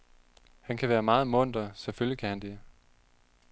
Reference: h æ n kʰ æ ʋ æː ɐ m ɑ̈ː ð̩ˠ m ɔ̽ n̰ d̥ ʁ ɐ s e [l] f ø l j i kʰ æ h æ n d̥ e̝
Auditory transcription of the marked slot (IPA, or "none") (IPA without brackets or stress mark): none